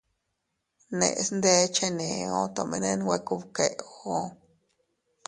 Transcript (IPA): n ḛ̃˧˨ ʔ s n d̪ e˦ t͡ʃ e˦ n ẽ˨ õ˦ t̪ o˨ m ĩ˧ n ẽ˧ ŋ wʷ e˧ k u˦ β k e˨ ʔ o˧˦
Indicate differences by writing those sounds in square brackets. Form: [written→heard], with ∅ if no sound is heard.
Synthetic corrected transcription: n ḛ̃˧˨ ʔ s n d̪ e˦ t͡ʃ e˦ n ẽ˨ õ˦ t̪ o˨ m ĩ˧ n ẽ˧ [ŋ→n] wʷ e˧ k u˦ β k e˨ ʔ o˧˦